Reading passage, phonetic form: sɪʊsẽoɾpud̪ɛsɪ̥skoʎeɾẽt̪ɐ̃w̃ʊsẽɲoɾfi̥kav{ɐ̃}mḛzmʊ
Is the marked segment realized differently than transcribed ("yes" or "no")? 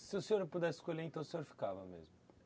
yes